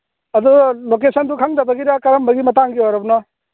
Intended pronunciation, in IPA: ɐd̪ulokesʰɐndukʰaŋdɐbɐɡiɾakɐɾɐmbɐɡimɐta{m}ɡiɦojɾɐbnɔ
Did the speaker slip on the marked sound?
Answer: yes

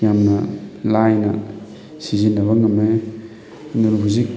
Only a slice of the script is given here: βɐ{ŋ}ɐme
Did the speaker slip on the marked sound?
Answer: no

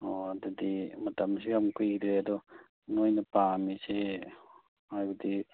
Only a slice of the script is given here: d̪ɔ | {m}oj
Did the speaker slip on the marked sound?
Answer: yes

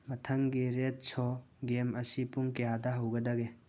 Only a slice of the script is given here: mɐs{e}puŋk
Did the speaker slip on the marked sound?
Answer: yes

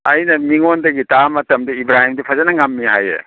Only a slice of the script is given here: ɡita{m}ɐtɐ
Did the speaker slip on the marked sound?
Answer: no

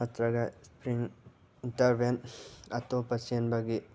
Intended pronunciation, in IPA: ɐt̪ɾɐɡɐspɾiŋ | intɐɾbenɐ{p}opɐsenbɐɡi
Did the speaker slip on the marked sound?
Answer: yes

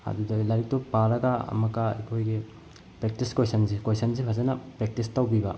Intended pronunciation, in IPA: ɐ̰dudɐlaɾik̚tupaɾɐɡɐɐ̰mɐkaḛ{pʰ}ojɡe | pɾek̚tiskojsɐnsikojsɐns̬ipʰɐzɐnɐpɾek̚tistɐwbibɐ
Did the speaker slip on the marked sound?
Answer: yes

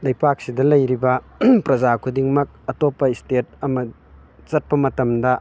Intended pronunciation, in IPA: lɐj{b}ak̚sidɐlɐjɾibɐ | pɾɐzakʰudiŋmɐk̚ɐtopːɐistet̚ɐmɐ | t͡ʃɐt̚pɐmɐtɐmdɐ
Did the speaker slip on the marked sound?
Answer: yes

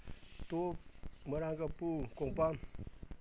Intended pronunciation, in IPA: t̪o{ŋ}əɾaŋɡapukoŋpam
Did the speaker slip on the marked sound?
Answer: yes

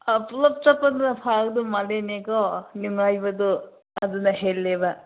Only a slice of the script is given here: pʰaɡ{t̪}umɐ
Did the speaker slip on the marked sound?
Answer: yes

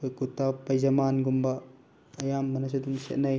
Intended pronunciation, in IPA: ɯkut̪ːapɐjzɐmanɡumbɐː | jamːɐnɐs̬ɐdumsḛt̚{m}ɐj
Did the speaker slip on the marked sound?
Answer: yes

